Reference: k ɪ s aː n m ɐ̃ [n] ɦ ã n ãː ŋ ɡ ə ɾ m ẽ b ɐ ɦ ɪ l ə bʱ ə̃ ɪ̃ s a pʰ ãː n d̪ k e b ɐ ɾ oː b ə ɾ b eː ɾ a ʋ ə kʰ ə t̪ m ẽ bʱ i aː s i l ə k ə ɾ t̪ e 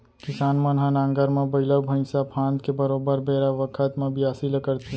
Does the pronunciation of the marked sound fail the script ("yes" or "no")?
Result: no